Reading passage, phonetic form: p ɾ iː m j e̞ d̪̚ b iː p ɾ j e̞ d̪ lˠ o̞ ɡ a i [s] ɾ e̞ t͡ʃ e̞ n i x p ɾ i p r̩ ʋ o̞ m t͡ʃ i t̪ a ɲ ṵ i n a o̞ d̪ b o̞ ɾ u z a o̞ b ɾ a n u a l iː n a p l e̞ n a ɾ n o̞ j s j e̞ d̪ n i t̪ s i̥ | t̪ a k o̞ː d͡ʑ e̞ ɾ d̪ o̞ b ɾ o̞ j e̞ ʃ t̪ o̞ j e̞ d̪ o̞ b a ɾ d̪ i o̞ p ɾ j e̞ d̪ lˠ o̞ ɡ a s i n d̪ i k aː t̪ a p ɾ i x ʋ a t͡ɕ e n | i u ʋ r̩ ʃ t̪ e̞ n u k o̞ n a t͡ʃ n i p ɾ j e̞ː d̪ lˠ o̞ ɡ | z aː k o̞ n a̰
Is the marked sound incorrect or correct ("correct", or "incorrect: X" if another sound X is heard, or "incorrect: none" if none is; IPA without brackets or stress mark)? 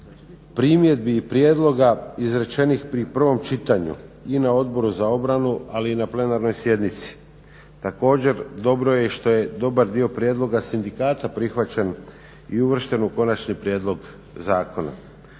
incorrect: z